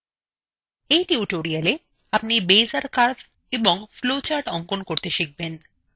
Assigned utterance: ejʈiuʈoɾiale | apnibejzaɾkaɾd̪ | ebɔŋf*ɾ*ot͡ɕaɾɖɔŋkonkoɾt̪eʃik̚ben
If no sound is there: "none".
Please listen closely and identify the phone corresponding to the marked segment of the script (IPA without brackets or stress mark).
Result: l